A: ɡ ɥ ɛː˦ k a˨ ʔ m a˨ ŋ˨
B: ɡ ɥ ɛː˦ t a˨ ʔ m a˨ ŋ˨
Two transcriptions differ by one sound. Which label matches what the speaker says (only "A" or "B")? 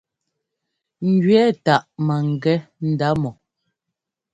B